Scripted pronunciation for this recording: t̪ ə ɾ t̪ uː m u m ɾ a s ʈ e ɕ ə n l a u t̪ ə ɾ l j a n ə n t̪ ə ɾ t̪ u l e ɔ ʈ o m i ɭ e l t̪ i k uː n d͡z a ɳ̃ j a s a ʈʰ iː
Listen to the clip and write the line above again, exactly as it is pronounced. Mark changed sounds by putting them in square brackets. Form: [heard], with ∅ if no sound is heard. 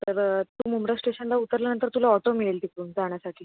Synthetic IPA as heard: t̪ ə ɾ t̪ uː m u m ɾ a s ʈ e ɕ ə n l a u t̪ ə ɾ l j a n ə n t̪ ə ɾ t̪ u l [a] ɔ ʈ o m i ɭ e l t̪ i k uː n d͡z a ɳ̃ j a s a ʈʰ iː